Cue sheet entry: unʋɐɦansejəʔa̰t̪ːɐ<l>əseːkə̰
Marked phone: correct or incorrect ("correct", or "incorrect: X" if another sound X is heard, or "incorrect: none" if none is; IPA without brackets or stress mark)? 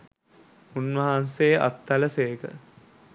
correct